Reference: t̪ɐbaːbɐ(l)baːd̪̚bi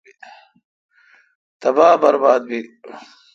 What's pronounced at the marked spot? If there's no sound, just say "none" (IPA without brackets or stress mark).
ɾ